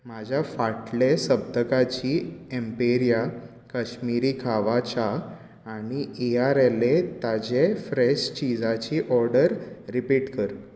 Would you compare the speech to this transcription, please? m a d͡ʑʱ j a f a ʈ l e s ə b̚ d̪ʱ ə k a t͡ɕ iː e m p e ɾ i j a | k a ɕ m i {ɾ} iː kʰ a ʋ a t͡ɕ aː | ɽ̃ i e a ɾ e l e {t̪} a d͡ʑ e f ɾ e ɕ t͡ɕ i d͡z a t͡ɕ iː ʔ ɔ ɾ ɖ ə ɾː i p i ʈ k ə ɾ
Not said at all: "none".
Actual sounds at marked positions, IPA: ɾ, t̪

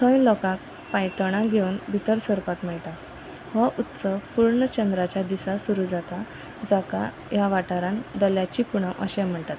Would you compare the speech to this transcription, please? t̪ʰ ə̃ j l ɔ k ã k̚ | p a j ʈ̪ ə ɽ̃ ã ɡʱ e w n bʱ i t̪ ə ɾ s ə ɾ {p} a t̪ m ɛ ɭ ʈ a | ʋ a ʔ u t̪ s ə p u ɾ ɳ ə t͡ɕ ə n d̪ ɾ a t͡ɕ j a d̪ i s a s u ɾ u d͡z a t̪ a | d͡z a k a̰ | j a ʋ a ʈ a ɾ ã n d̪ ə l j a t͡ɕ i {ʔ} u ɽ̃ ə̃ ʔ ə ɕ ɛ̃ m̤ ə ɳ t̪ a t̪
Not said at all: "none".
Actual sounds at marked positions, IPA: p, p

